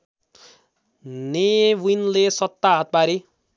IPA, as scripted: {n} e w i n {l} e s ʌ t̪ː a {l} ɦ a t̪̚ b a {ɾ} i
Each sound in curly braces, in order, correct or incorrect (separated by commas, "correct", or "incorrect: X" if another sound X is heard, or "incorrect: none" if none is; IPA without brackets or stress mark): correct, correct, incorrect: none, correct